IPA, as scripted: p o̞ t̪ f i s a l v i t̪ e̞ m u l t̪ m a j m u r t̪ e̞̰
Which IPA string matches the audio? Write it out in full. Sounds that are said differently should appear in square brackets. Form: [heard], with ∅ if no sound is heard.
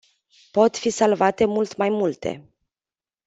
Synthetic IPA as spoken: p o̞ t̪ f i s a l v [a] t̪ e̞ m u l t̪ m a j m u [l] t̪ e̞̰